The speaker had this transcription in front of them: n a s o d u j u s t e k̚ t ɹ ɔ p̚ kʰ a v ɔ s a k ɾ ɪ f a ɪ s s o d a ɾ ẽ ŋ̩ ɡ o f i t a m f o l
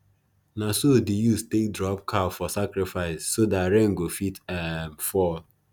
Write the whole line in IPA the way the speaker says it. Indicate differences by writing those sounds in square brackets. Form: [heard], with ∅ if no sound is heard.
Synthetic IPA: n a s o d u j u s t e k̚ [d] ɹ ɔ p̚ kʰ a [f] ɔ s a k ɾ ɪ f a ɪ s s o d a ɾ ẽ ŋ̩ ɡ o f i t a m f [ɔ] l